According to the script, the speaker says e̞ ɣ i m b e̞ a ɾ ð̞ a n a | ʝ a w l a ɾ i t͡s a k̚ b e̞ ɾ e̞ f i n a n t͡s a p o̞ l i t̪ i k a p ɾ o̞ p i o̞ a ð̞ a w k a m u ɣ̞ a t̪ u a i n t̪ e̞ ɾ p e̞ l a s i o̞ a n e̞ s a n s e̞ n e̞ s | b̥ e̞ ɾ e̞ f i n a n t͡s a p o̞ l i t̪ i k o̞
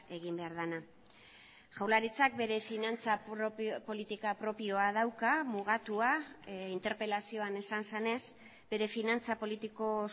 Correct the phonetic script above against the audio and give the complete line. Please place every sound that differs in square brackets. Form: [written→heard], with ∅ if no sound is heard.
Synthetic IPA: e̞ ɣ i m b e̞ a ɾ ð̞ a n a | ʝ a w l a ɾ i t͡s a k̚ b e̞ ɾ e̞ f i n a n t͡s a p o̞ l i t̪ i k a p ɾ o̞ p i o̞ a ð̞ a w k a m u ɣ̞ a t̪ u a i n t̪ e̞ ɾ p e̞ l a s i o̞ a n e̞ s a n s e̞ n e̞ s | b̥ e̞ ɾ e̞ f i n a n t͡s a p o̞ l i t̪ i k o̞